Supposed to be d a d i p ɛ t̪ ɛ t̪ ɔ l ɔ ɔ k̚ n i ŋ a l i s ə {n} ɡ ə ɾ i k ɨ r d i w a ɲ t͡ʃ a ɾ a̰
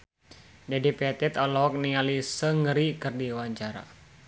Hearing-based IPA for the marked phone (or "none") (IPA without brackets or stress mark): ŋ